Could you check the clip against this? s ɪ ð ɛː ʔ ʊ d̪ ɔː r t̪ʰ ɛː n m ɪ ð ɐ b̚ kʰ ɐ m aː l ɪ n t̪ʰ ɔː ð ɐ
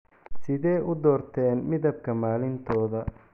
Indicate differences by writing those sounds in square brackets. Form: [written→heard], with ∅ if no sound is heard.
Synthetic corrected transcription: s ɪ ð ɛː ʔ ʊ d̪ ɔː r t̪ʰ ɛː n m ɪ ð ɐ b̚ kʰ ɐ m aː l ɪ n t̪ʰ ɔː ð ɐ